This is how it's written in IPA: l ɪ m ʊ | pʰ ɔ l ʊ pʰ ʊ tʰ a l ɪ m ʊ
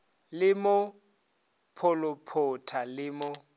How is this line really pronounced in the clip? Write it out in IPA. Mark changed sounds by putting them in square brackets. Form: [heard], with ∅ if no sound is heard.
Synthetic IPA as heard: l ɪ m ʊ | pʰ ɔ l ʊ pʰ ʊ tʰ a l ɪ m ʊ